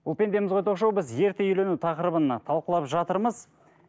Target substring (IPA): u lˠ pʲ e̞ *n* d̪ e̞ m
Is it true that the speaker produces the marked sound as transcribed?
yes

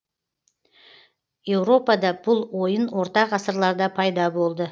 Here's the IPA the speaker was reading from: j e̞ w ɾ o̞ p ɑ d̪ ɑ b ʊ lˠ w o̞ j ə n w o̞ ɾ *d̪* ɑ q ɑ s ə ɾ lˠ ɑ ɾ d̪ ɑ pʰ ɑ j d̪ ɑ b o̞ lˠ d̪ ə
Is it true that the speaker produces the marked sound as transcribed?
no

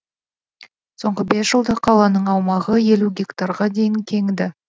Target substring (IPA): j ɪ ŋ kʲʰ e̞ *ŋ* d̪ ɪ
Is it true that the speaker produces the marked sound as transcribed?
yes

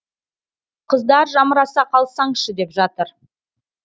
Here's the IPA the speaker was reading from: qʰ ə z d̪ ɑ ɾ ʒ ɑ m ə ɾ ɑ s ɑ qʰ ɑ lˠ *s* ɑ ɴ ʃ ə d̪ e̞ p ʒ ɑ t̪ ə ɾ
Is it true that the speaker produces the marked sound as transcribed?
yes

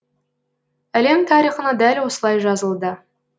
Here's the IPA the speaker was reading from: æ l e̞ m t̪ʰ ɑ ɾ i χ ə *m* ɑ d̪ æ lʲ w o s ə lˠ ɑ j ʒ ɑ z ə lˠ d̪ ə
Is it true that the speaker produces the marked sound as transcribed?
no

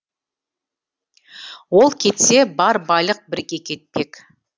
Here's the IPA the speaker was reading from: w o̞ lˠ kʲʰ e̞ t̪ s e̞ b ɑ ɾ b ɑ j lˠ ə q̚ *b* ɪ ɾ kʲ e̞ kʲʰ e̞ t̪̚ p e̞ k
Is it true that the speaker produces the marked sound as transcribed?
yes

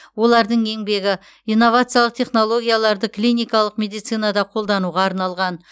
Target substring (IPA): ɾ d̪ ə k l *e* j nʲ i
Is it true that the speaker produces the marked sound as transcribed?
no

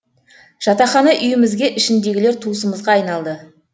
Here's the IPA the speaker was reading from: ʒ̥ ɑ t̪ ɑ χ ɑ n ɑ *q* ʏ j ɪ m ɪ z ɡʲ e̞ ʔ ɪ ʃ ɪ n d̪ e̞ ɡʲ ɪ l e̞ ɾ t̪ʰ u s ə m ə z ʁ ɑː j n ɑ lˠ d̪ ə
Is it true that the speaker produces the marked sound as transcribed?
no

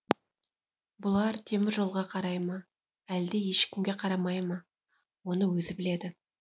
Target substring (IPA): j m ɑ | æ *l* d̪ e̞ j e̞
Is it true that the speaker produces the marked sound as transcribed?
yes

